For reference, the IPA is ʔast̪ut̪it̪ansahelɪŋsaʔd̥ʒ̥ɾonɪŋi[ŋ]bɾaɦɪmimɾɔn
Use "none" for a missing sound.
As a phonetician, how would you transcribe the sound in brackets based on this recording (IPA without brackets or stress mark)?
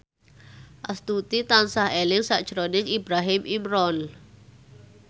none